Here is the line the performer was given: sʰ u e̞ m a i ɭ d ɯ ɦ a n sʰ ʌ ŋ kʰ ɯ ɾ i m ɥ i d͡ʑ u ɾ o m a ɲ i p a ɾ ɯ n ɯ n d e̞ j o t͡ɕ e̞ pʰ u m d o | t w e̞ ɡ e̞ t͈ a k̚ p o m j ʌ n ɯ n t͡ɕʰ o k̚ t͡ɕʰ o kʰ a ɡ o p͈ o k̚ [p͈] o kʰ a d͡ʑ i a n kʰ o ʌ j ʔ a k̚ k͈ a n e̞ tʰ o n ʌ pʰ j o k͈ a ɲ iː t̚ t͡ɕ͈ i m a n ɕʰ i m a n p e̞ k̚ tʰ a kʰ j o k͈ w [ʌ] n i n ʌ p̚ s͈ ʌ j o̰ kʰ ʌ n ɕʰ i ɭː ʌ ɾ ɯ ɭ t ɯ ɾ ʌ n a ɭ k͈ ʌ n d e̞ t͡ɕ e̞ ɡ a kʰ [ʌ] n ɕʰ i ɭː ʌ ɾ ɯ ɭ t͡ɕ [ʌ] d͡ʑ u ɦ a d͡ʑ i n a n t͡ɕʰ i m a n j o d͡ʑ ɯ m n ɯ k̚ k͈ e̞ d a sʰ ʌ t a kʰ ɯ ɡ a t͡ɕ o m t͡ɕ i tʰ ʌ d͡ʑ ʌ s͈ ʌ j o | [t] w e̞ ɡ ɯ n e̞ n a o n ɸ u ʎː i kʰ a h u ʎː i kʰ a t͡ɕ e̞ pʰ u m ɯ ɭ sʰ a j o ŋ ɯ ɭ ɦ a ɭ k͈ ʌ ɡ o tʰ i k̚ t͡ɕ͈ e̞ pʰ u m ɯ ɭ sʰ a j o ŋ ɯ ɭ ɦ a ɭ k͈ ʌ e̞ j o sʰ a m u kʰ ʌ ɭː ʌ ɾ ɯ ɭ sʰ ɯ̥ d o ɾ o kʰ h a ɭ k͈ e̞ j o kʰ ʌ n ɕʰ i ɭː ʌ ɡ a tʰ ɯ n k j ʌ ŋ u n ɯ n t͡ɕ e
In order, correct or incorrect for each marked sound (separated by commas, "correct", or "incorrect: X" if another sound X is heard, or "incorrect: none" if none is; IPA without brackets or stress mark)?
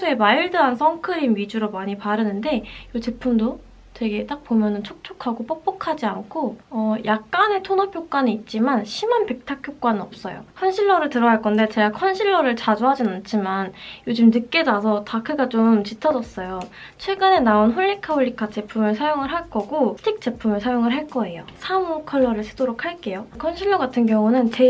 correct, incorrect: a, correct, incorrect: a, incorrect: t͡ɕʰ